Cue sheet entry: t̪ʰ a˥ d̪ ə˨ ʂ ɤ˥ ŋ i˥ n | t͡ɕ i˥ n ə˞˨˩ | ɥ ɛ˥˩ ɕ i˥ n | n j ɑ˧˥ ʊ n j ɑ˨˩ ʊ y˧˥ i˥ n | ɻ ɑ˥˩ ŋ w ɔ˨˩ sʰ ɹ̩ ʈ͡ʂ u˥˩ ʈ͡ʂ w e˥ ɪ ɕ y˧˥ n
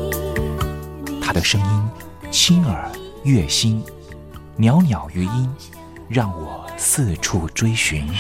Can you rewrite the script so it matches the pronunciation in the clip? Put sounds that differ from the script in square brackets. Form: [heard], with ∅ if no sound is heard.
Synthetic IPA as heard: t̪ʰ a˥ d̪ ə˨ ʂ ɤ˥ ŋ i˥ n | [t͡ɕʰ] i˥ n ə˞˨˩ | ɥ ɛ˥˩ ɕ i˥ n | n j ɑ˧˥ ʊ n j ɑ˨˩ ʊ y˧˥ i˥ n | ɻ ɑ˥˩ ŋ w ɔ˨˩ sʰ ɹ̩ [ʈ͡ʂʰ] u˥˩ ʈ͡ʂ w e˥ ɪ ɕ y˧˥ n